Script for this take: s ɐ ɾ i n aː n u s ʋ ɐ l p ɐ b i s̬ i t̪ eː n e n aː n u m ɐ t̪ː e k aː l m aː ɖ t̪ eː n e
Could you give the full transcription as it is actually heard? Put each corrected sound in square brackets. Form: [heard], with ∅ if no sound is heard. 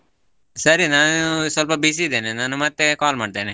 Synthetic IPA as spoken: s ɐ ɾ i n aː n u s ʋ ɐ l p ɐ b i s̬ i [d̪] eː n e n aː n u m ɐ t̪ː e k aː l m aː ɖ t̪ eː n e